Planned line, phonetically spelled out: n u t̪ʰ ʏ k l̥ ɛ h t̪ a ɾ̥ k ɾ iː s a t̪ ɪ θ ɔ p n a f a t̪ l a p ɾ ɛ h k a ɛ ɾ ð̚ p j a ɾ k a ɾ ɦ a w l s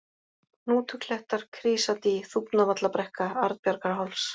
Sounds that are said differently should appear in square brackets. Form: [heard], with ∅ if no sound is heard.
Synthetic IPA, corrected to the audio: n [uː] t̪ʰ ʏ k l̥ ɛ h t̪ a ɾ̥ [kʰ] ɾ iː s a t̪ [i] θ [u] p n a [v] a t̪ l a p ɾ ɛ h k a [a] ɾ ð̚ p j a ɾ k a ɾ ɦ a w l s

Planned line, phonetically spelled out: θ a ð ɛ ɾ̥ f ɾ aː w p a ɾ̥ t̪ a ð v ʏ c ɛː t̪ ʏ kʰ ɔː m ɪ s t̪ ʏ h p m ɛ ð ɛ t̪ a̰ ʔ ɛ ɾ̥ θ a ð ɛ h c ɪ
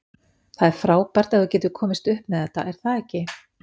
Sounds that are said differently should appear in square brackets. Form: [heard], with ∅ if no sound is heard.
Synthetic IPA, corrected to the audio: θ a ð ɛ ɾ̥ f ɾ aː w p a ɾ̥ t̪ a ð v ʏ c ɛː t̪ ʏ kʰ ɔː m ɪ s t̪ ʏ h p m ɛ ð ɛ t̪ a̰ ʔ ɛ ɾ̥ θ a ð ɛ h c ɪ

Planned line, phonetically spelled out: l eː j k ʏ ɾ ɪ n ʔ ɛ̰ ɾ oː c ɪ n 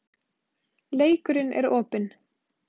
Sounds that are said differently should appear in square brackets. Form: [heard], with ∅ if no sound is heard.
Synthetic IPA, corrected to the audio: l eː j k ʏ ɾ ɪ n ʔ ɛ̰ ɾ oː [p] ɪ n

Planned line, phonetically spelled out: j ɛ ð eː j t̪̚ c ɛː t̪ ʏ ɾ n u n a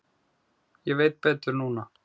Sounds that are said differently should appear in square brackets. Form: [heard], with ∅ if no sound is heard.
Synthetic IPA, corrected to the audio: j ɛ [v] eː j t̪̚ [p] ɛː t̪ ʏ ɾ n [uː] n a

